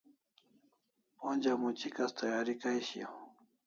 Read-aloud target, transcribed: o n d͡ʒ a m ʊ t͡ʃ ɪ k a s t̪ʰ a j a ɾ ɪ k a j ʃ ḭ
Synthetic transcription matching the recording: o n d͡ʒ a m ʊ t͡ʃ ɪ k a s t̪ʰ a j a ɾ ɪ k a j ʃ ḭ